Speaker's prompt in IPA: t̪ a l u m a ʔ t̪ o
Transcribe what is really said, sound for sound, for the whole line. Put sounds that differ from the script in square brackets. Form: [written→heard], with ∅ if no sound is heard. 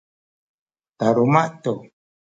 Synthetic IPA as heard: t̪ a [l→ɾ] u m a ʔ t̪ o